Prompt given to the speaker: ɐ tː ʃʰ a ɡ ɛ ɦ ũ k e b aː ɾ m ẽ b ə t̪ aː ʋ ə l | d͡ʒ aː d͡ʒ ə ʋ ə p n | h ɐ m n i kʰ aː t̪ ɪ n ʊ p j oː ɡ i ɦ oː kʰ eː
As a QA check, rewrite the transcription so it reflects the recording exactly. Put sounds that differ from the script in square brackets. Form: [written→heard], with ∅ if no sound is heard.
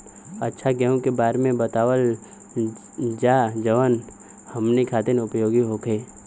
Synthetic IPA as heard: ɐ tː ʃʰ a ɡ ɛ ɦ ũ k e b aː ɾ m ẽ b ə t̪ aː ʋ ə l | d͡ʒ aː d͡ʒ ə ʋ ə [p→∅] n | h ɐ m n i kʰ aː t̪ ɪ n ʊ p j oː ɡ i ɦ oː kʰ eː